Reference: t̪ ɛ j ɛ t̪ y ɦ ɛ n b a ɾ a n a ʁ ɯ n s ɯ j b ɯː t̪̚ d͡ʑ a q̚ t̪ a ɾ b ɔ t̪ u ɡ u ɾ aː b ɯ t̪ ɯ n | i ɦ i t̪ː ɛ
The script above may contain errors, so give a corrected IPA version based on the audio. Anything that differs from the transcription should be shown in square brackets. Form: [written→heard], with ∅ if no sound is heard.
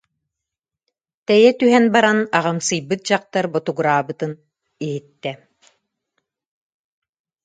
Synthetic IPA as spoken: t̪ ɛ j ɛ t̪ y ɦ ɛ n b a ɾ a n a ʁ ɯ [n→m] s ɯ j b [ɯː→ɯ] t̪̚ d͡ʑ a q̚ t̪ a ɾ b ɔ t̪ u ɡ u ɾ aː b ɯ t̪ ɯ n | i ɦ i t̪ː ɛ